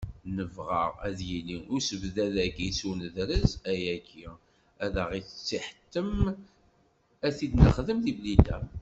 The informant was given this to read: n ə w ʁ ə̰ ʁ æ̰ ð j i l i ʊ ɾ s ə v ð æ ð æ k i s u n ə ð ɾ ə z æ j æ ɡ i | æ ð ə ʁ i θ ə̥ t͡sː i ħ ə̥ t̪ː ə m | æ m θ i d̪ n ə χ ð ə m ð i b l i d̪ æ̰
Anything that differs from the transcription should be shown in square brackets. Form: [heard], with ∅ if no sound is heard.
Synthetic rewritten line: n ə [v] ʁ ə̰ ʁ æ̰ ð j i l i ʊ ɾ s ə v ð æ ð æ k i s u n ə ð ɾ ə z æ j æ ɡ i | æ ð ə ʁ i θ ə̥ t͡sː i ħ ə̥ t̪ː ə m | æ [∅] θ i d̪ n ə χ ð ə m ð i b l i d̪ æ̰